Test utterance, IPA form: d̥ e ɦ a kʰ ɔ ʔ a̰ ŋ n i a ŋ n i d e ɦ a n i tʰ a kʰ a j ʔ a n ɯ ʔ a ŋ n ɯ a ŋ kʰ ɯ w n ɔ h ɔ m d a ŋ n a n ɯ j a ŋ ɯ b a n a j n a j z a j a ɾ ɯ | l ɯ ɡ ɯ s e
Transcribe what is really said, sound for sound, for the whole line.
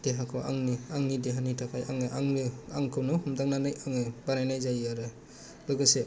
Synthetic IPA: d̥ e ɦ a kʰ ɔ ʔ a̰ ŋ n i a ŋ n i d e ɦ a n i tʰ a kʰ a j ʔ a ŋ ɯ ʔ a ŋ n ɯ a ŋ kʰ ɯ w n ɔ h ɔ m d a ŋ n a n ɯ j a ŋ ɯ b a n a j n a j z a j a ɾ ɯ | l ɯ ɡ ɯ s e